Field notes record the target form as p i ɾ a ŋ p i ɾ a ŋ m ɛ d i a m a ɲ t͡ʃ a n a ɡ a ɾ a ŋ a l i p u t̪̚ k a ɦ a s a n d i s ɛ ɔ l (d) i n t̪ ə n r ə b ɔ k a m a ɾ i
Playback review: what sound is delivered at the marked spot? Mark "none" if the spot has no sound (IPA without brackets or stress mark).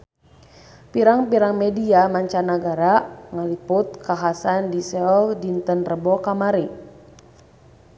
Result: d